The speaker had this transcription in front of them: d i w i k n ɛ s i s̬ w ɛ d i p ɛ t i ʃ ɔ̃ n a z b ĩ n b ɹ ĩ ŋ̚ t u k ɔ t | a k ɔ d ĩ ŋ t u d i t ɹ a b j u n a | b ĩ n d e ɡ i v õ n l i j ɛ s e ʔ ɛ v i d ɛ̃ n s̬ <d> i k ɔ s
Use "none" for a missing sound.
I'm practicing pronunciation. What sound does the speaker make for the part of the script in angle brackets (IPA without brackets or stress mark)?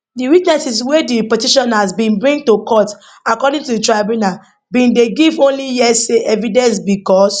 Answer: b